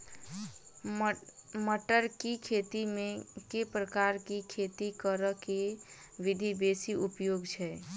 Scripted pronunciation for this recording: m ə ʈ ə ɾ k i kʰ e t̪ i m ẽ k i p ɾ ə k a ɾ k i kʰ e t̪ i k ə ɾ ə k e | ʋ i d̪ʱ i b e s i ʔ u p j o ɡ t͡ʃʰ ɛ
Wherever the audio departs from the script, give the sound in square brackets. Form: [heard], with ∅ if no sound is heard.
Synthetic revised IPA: m ə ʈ ə ɾ k i kʰ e t̪ i m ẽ k [e] p ɾ ə k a ɾ k i kʰ e t̪ i k ə ɾ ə k e | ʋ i d̪ʱ i b e s i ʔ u p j o ɡ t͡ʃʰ ɛ